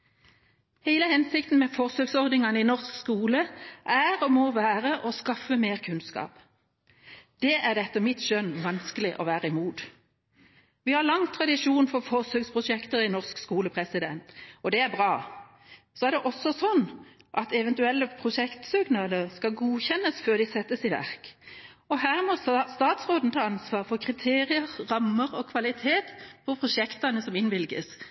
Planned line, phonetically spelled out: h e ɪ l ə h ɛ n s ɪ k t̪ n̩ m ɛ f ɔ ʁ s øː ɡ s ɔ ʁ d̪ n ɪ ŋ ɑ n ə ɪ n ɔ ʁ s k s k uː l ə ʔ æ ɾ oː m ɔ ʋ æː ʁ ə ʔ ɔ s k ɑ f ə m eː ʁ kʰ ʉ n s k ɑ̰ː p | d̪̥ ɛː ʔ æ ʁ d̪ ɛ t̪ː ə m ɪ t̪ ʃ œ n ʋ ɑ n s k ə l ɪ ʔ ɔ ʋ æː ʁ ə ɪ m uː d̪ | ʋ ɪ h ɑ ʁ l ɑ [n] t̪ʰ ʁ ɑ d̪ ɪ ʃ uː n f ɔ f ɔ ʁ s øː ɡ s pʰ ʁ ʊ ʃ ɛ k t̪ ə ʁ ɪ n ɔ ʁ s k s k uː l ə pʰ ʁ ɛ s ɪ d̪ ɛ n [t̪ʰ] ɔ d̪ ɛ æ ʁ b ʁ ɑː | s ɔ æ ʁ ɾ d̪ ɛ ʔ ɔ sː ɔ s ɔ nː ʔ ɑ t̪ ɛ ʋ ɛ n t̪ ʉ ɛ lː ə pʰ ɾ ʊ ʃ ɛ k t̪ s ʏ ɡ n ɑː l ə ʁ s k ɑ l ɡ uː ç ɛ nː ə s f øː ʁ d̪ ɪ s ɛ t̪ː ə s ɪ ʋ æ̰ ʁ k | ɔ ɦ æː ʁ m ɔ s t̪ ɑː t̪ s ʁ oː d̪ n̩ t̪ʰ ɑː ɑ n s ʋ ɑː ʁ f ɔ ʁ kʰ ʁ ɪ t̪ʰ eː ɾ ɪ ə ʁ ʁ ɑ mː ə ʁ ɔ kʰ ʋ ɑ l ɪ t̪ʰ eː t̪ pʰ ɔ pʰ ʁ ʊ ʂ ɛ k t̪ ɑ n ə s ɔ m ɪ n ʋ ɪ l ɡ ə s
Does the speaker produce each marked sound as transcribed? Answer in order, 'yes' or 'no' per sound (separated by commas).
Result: no, no